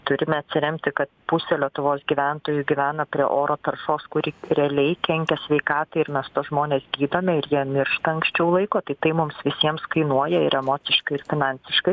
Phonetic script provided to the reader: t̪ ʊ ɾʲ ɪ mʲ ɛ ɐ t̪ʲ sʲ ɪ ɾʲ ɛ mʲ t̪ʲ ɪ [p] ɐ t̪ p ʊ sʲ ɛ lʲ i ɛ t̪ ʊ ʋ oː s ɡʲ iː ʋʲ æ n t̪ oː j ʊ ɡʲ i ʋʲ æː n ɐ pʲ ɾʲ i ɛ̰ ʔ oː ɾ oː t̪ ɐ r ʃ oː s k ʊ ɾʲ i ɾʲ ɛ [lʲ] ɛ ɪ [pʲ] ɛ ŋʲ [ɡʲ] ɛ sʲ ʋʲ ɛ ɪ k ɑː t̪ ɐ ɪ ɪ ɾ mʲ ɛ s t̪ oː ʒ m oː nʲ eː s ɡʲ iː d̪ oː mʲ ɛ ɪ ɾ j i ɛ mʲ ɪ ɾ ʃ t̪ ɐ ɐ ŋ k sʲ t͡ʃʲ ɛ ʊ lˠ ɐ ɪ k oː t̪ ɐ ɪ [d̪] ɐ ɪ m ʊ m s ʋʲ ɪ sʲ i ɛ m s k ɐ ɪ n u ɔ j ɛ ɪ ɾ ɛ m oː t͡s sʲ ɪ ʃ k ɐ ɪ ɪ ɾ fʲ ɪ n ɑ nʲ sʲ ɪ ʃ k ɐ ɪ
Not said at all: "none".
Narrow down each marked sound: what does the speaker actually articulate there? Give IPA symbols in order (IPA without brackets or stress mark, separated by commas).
k, lʲ, kʲ, kʲ, t̪